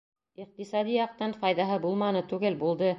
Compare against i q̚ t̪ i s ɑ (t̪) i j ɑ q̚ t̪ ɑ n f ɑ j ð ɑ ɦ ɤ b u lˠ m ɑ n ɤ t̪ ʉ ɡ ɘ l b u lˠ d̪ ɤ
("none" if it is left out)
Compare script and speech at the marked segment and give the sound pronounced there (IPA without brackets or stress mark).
d̪